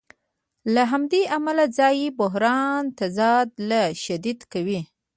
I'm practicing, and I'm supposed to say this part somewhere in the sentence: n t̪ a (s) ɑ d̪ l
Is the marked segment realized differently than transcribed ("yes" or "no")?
yes